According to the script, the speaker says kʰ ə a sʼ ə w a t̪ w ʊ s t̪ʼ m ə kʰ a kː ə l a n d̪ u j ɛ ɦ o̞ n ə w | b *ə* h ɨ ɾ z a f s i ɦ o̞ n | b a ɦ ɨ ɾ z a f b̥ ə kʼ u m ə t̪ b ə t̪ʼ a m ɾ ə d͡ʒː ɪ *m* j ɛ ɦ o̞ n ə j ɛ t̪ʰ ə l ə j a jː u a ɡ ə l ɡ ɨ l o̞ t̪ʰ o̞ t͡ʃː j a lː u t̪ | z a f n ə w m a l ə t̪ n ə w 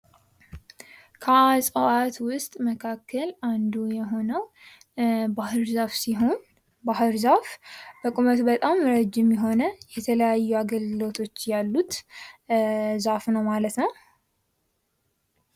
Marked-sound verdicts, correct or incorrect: incorrect: a, correct

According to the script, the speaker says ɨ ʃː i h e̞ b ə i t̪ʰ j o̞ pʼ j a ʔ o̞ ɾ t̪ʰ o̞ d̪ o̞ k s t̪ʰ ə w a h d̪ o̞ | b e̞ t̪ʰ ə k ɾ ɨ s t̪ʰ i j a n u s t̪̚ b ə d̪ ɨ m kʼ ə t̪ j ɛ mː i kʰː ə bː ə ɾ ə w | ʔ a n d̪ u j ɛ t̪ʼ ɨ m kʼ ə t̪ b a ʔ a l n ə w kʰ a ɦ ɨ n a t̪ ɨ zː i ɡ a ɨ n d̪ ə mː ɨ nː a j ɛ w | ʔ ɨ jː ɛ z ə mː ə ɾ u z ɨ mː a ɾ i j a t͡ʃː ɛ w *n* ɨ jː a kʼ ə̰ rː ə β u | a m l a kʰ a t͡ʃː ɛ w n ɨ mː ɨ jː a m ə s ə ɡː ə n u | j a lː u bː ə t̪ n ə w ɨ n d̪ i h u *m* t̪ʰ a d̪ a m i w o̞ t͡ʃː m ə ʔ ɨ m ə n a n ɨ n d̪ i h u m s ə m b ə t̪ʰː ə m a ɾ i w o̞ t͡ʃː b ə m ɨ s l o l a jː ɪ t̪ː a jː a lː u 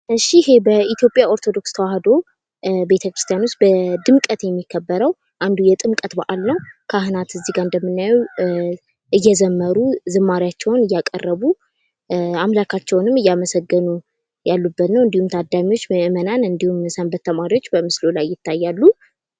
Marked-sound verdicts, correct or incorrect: correct, correct

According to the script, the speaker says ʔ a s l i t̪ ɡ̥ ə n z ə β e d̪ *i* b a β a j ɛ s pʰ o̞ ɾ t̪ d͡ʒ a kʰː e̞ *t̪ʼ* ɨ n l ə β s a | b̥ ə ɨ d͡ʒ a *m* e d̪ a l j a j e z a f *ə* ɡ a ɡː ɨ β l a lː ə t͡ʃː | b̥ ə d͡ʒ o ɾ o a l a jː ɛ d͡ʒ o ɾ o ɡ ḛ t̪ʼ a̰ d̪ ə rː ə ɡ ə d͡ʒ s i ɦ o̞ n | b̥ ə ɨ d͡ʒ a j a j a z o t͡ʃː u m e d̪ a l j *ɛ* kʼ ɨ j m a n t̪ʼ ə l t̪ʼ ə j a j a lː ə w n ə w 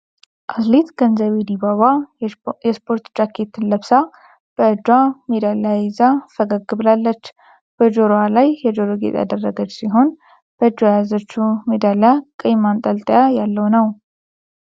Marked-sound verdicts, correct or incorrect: correct, incorrect: t̪, correct, correct, incorrect: a

